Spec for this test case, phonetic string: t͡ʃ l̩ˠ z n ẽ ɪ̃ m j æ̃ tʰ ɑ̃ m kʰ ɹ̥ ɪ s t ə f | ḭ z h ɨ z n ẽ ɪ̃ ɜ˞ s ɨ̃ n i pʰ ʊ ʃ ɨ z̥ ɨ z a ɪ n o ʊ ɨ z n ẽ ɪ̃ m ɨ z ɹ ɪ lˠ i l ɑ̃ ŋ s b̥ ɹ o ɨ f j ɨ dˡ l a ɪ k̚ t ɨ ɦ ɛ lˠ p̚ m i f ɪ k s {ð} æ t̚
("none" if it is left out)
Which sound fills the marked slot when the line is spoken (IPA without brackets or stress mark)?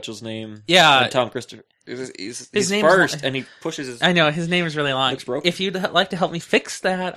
ð